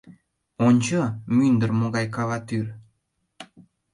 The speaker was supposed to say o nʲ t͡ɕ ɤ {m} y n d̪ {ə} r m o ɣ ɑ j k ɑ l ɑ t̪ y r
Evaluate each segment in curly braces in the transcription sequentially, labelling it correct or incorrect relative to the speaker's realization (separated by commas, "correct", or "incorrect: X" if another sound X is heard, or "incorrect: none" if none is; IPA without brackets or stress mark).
correct, correct